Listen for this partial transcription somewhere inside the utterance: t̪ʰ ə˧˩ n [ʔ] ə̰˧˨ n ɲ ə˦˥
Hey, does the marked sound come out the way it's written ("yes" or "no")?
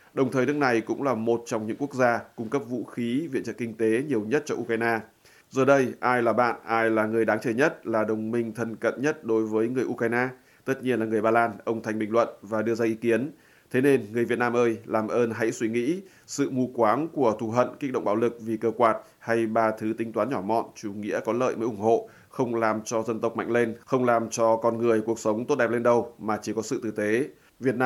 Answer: no